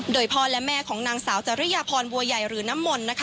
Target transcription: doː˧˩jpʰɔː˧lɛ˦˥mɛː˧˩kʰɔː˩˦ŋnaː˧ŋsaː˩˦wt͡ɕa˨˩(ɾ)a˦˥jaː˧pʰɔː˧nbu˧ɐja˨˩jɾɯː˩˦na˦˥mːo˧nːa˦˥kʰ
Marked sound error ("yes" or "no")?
no